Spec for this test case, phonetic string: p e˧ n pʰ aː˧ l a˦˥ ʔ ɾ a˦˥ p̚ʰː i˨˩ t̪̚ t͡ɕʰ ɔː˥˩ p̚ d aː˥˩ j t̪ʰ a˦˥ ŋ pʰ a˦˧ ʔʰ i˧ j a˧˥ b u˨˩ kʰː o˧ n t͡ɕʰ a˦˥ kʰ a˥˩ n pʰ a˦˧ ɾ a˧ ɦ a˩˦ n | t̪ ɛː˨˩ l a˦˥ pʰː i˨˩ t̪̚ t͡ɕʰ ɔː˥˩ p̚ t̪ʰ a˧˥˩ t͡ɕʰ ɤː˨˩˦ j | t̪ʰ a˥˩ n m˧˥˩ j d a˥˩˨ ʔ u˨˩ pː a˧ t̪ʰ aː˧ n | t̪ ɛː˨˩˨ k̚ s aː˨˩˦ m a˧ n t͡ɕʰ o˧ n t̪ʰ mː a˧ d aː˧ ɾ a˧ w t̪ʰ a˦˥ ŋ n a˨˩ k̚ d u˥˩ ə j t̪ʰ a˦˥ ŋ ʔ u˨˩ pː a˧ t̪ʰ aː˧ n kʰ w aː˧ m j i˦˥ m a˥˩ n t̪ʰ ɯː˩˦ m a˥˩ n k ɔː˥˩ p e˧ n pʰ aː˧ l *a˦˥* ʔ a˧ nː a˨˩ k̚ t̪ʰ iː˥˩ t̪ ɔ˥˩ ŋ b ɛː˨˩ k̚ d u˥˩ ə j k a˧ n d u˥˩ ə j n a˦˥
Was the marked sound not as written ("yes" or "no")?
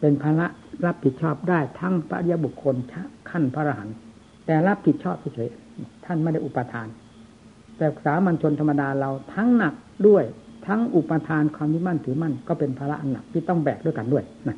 no